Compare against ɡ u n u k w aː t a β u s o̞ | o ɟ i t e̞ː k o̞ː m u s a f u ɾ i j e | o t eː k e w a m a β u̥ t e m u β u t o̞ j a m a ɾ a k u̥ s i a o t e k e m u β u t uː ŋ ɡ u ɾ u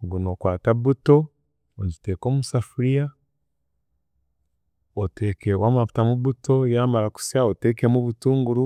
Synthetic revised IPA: ɡ u n o k w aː t a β u t o̞ | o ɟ i t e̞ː k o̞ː m u s a f u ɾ i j a | o t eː k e w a m a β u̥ t a m u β u t o̞ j a m a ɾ a k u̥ s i a o t e k e m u β u t uː ŋ ɡ u ɾ u